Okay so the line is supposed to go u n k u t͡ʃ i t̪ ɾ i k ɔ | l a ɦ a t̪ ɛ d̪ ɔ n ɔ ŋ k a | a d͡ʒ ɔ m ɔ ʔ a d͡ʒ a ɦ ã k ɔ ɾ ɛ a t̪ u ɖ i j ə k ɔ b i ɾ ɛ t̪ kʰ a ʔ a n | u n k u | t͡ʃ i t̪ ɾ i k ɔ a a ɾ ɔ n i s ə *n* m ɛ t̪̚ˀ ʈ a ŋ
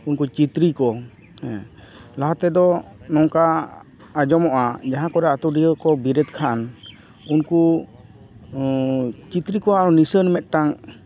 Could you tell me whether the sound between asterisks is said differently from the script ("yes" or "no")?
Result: no